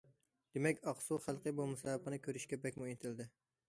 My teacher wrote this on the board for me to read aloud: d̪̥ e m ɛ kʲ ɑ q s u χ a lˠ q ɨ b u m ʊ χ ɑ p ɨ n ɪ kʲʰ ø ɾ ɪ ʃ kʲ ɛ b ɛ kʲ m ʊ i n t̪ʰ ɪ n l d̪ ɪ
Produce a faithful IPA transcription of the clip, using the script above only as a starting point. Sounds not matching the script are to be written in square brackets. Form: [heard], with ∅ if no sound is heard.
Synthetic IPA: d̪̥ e m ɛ kʲ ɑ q s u χ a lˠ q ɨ b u m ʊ [s] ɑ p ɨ n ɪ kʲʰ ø ɾ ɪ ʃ kʲ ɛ b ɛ kʲ m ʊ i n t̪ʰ ɪ [∅] l d̪ ɪ